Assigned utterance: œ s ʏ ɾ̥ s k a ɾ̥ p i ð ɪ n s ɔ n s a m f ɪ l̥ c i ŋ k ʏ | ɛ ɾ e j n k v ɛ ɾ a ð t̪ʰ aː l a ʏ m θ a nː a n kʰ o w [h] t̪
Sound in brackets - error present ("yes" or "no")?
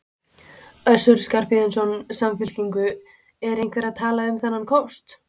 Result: yes